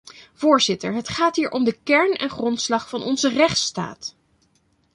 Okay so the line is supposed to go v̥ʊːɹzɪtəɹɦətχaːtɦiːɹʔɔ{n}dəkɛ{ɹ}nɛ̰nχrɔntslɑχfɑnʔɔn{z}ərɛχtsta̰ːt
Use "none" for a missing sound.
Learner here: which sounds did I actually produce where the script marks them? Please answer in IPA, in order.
m, ɹ, z

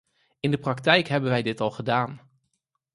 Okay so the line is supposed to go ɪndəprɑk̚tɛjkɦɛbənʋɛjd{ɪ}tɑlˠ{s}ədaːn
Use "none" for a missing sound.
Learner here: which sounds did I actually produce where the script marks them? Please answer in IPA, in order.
ɪ, χ

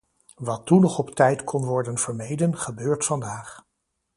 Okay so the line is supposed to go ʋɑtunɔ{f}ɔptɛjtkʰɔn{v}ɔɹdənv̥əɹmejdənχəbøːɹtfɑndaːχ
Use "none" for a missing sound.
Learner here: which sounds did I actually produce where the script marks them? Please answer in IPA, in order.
χ, ʋ

